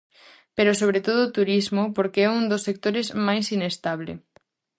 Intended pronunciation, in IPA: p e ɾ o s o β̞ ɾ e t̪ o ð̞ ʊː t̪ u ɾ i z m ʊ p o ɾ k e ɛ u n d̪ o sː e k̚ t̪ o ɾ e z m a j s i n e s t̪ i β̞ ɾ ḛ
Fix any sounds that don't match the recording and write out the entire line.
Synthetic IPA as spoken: p e ɾ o s o β̞ ɾ e t̪ o ð̞ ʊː t̪ u ɾ i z m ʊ p o ɾ k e ɛ u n d̪ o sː e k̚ t̪ o ɾ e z m a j s i n e s t̪ a β̞ l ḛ